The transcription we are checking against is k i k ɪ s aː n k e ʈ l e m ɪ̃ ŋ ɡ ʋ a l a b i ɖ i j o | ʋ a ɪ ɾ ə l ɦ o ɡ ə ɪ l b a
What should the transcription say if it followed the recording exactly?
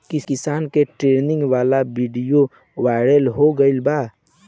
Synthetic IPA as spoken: k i k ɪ s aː n k e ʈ ɾ e n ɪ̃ ŋ ɡ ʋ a l a b i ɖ i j o | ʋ a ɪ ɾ ə l ɦ o ɡ ə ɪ l b a